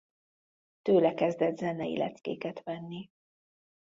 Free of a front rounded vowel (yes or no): no